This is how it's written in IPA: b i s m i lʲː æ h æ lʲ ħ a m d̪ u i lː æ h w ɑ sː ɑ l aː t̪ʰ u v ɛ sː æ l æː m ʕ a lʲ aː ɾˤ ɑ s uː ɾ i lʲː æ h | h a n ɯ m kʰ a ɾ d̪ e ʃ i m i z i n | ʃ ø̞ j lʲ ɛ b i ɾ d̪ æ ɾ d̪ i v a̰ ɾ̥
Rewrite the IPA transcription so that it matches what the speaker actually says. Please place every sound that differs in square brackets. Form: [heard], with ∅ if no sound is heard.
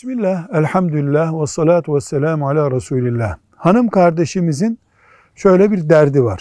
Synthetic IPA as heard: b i s m i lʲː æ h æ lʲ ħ a m d̪ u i lː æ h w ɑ sː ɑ l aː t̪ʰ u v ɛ sː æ l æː m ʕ a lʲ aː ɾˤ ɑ s uː [l] i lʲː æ h | h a n ɯ m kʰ a ɾ d̪ e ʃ i m i z i n | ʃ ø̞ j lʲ ɛ b i ɾ d̪ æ ɾ d̪ i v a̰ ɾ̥